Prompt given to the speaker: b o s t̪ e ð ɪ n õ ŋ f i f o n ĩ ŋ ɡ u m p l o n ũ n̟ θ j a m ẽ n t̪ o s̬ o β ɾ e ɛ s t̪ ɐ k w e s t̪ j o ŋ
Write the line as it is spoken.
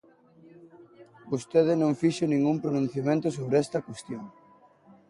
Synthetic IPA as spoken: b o s t̪ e ð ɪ n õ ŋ f i ʃ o n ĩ ŋ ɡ u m p ɾ o n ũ n̟ θ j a m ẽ n t̪ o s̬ o β ɾ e ɛ s t̪ ɐ k w e s t̪ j o ŋ